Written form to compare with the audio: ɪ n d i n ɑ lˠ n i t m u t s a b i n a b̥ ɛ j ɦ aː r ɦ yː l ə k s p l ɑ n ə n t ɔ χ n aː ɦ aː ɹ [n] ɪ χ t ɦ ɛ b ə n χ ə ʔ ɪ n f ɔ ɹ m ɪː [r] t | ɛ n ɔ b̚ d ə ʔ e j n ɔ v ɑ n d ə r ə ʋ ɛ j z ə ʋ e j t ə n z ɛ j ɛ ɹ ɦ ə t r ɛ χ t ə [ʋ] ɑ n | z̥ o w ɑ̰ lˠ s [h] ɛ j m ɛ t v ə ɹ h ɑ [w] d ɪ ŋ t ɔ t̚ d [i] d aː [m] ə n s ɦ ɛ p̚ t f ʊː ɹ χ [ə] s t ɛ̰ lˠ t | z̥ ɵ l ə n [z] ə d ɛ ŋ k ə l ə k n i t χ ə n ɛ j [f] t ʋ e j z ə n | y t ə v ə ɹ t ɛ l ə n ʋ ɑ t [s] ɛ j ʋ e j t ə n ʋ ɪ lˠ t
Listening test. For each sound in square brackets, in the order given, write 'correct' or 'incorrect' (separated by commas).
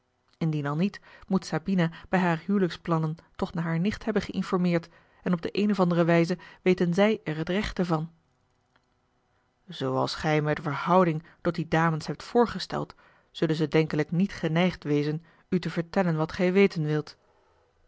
correct, incorrect, incorrect, incorrect, correct, correct, correct, correct, correct, incorrect, incorrect